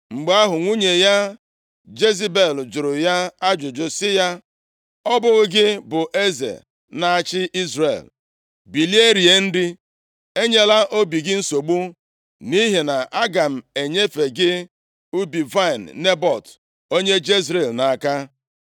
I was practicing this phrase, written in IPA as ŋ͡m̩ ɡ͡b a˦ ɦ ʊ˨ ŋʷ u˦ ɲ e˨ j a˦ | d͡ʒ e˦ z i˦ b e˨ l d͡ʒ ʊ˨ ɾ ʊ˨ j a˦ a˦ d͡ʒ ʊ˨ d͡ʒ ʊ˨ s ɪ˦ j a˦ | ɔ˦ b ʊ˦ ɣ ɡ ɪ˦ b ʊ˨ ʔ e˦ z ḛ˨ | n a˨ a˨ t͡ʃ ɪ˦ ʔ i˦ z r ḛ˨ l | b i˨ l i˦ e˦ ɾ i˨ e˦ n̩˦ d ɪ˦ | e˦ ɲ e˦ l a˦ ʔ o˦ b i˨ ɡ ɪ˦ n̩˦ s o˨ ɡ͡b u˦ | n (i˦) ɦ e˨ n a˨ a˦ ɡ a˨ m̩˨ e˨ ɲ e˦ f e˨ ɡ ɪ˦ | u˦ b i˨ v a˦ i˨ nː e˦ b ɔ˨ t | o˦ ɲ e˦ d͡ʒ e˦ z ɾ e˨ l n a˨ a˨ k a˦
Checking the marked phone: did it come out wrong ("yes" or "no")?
no